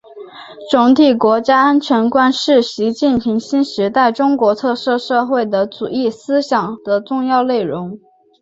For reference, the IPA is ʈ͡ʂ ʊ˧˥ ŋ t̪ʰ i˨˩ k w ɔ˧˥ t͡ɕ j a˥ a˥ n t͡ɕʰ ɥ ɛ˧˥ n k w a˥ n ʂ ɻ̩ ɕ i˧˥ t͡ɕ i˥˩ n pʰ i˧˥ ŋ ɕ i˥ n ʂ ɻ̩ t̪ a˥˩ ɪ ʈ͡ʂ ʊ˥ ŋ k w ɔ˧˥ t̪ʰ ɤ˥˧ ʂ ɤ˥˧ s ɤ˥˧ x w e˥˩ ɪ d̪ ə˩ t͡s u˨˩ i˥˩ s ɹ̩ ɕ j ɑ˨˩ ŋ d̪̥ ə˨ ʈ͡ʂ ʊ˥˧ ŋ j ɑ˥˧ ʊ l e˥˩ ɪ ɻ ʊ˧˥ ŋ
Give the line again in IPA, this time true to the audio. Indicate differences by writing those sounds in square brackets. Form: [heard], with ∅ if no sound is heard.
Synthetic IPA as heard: ʈ͡ʂ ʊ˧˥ ŋ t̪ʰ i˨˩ k w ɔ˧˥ t͡ɕ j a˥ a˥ n t͡ɕʰ ɥ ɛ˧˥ n k w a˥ n ʂ ɻ̩ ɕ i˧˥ t͡ɕ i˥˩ n pʰ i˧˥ ŋ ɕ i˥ n ʂ ɻ̩ t̪ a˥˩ ɪ ʈ͡ʂ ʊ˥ ŋ k w ɔ˧˥ t̪ʰ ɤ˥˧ ʂ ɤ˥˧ [ʂ] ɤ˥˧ x w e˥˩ ɪ d̪ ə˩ t͡s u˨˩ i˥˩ s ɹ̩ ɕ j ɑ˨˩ ŋ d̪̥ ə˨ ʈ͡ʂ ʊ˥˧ ŋ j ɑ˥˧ ʊ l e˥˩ ɪ ɻ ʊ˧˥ ŋ